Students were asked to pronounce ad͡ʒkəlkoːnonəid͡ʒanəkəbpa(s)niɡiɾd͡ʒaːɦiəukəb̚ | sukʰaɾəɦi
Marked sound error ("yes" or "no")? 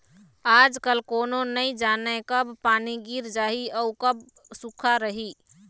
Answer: yes